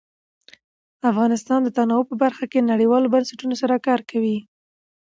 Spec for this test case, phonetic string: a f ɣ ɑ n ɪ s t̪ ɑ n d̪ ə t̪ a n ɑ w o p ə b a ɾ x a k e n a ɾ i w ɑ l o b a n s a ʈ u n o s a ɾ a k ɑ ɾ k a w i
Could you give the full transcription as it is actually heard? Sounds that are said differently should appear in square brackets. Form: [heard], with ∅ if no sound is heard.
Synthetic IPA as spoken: a f ɣ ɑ n ɪ s t̪ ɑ n d̪ ə t̪ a n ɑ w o p ə b a ɾ x a k e n a [ɽ] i w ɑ l o b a n s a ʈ u n o s a ɾ a k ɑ ɾ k a w i

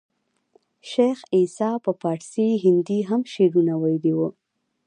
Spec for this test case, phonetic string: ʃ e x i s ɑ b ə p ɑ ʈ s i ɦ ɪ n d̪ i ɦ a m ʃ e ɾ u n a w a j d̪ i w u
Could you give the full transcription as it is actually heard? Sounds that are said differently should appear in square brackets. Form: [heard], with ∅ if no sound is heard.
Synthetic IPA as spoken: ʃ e x i s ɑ [p] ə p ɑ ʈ s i ɦ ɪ n d̪ i ɦ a m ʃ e ɾ u n a w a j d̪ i w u

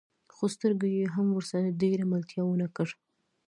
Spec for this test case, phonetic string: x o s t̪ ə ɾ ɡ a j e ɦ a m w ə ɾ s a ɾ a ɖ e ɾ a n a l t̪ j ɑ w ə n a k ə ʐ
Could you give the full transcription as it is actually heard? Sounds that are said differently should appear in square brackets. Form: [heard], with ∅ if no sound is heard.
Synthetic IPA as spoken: x o s t̪ ə ɾ ɡ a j e ɦ a m w ə ɾ s a ɾ a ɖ e ɾ a [m] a l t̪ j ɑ w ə n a k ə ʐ

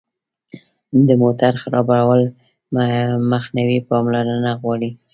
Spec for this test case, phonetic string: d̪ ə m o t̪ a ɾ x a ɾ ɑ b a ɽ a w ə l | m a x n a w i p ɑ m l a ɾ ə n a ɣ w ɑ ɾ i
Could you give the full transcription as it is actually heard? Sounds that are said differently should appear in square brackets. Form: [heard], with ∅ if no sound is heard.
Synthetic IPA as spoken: d̪ ə m o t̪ a ɾ x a ɾ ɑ b a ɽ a w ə l | m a x n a w i p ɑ m l a ɾ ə n a ɣ w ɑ [ɽ] i

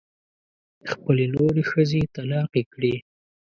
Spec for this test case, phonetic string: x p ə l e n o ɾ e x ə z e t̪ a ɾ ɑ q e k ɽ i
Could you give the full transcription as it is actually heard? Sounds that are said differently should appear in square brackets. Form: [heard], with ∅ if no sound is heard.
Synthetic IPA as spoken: x p ə l e n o ɾ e x ə z e t̪ a [l] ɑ q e k ɽ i

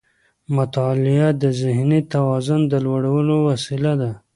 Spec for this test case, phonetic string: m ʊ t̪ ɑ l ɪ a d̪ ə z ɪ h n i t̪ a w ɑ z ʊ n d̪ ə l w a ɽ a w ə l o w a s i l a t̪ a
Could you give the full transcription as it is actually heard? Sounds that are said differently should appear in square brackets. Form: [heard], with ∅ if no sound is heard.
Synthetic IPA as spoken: m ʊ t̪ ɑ l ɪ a d̪ ə z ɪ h n i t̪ a w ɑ z ʊ n d̪ ə l w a ɽ a w ə l o w a s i l a [d̪] a

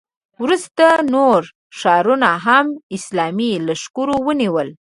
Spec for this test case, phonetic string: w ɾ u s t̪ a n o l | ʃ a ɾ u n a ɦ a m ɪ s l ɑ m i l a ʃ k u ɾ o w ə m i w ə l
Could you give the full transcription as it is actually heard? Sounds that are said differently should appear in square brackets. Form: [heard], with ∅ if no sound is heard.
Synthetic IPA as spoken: w ɾ u s t̪ a n o [ɾ] | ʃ [ɑ] ɾ u n a ɦ a m ɪ s l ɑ m i l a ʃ k u ɾ o w ə [n] i w ə l

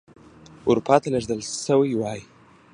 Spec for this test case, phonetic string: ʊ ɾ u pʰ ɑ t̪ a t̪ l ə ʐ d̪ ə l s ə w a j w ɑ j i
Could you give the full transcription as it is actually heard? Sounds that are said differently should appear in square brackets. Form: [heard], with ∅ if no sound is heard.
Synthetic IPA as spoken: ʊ ɾ u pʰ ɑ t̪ a [∅] l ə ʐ d̪ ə l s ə w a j w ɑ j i

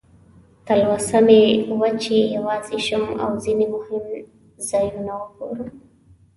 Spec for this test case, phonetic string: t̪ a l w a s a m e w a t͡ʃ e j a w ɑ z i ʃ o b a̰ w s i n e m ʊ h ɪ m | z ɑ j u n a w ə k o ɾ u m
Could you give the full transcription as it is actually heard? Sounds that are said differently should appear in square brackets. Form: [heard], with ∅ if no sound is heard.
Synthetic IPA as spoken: t̪ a l w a s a m e w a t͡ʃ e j a w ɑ z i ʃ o [m] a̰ w [z] i n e m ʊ h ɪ m | z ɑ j u n a w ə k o ɾ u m

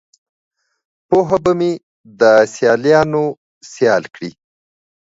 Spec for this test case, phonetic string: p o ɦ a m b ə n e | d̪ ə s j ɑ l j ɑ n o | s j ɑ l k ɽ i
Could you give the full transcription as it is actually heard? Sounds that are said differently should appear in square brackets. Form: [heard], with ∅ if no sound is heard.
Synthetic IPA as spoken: p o ɦ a [∅] b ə [m] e | d̪ ə s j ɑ l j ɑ n o | s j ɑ l k ɽ i

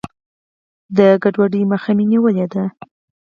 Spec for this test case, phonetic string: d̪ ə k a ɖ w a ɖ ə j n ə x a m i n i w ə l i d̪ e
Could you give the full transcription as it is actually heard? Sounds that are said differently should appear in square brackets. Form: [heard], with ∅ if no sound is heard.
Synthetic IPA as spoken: d̪ ə [ɡ] a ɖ w a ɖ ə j [m] ə x a m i n i w ə l [e] d̪ [a]

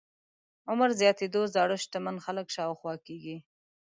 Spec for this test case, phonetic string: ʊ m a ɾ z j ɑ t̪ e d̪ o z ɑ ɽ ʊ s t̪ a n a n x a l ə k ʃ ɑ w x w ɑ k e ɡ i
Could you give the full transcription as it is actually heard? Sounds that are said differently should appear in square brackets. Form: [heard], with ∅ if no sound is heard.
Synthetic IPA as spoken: ʊ m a ɾ z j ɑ t̪ e d̪ o z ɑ ɽ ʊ [ʃ] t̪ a [m] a n x a l ə k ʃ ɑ w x w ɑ k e ɡ i

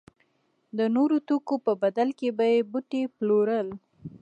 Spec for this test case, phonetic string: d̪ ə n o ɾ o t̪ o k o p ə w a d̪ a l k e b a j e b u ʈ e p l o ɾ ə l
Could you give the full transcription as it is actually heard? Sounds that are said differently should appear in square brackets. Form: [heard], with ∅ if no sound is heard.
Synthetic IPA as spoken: d̪ ə n o ɾ o t̪ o k o p ə [b] a d̪ a l k e b a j e b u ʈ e p l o ɾ ə l

